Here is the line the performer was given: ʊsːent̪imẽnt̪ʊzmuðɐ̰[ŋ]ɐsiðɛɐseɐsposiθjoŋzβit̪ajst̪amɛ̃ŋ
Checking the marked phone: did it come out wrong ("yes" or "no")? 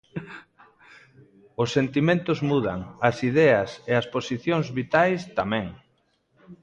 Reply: no